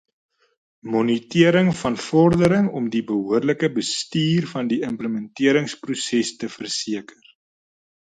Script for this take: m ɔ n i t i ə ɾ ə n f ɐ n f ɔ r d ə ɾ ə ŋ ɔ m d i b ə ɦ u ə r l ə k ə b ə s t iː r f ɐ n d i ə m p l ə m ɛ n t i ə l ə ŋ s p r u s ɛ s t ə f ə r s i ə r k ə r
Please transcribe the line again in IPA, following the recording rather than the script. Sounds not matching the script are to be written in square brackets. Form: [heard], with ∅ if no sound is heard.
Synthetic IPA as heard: m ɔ n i t i ə ɾ ə [ŋ] f ɐ n f ɔ r d ə ɾ ə ŋ ɔ m d i b ə ɦ u ə r l ə k ə b ə s t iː r f ɐ n d i ə m p l ə m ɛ n t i ə [ɾ] ə ŋ s p r u s ɛ s t ə f ə r s i ə [∅] k ə r